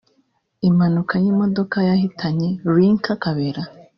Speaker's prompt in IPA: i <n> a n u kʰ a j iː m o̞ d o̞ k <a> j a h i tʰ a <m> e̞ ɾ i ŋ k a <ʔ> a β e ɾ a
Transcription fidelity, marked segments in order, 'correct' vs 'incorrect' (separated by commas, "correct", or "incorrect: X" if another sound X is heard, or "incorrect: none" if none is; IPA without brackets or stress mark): incorrect: m, correct, incorrect: ɲ, incorrect: k